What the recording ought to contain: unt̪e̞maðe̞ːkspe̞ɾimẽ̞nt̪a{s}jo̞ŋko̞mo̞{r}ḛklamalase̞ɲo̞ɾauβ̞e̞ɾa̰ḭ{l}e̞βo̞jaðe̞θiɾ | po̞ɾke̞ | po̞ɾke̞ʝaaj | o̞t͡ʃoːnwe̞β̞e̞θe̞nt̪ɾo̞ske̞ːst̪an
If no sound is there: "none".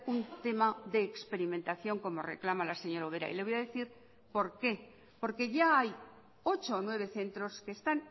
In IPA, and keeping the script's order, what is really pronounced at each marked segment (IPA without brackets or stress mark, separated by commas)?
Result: θ, r, l